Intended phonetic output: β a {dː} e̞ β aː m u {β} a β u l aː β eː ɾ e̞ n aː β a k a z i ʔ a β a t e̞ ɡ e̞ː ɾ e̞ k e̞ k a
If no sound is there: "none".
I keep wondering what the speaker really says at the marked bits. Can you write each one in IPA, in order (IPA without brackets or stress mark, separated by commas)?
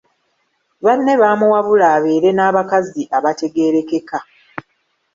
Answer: nː, w